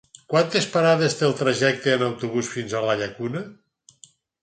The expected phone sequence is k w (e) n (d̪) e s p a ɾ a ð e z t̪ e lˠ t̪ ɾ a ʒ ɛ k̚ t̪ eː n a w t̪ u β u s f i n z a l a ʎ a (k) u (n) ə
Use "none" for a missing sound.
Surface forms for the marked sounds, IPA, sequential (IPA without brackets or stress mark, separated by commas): a, t̪, k, n